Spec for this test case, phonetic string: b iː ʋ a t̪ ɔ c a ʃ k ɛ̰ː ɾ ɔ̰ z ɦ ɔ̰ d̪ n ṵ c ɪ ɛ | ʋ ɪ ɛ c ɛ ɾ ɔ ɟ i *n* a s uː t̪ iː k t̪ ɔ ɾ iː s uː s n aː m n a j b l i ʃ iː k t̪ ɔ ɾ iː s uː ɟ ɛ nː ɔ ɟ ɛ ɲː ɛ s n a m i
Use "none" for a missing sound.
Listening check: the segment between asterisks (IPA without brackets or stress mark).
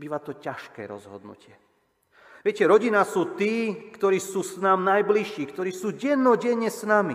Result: n